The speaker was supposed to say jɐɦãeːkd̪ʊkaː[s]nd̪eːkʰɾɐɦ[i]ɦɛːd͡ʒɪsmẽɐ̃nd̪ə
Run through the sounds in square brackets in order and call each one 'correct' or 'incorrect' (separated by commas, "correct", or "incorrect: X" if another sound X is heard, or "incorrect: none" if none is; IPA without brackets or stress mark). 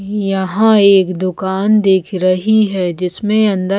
incorrect: none, correct